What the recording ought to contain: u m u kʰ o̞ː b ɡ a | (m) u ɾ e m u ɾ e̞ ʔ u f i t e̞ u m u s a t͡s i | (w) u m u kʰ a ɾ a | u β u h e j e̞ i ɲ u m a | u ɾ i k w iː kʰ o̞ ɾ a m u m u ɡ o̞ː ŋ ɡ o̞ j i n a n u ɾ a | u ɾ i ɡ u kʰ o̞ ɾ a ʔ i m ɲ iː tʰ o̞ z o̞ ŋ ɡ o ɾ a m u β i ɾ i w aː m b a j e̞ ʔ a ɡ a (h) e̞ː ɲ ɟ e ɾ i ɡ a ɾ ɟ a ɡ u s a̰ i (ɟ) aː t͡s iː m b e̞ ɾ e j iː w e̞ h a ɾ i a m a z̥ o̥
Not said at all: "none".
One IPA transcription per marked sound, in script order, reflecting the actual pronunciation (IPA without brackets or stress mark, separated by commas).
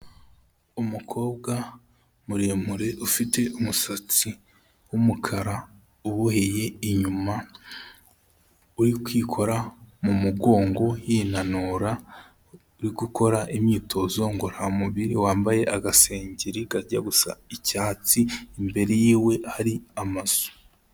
m, w, s, c